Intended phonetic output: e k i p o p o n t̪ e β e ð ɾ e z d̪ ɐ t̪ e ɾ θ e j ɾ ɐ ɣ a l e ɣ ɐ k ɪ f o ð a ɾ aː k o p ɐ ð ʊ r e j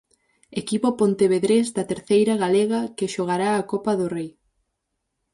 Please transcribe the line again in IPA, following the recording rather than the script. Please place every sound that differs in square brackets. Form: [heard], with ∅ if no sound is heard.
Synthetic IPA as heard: e k i p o p o n t̪ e β e ð ɾ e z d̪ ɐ t̪ e ɾ θ e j ɾ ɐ ɣ a l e ɣ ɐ k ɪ [ʃ] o [ɣ] a ɾ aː k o p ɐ ð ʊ r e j